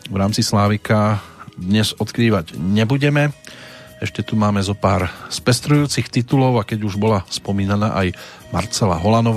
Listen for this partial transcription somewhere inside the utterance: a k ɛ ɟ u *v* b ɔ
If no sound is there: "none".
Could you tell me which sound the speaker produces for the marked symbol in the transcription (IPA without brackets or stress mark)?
ʒ